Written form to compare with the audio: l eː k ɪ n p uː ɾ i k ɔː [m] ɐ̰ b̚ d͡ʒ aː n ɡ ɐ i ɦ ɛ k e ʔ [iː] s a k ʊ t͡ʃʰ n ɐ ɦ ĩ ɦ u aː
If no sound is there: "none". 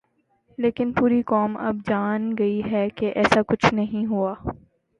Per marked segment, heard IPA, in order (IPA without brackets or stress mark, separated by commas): m, ɛː